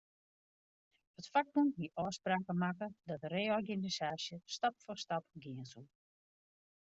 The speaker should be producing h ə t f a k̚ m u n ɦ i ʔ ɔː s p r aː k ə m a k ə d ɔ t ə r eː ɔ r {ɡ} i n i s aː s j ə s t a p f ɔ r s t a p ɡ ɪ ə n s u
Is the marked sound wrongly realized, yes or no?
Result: no